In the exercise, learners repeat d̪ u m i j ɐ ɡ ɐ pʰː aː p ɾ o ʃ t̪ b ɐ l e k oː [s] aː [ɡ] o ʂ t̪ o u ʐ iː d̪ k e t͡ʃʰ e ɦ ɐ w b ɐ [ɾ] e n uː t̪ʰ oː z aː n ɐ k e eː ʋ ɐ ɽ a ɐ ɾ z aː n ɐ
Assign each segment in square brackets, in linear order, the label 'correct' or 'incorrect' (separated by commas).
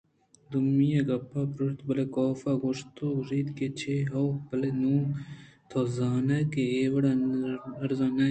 incorrect, correct, incorrect